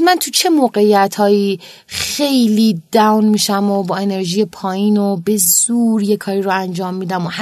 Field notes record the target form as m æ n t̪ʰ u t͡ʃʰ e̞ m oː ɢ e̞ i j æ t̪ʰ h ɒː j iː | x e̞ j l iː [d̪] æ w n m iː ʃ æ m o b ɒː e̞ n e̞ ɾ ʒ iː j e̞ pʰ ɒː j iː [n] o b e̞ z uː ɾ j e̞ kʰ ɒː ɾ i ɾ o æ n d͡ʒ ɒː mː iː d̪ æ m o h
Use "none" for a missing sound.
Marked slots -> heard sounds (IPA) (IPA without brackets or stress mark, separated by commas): d̪, n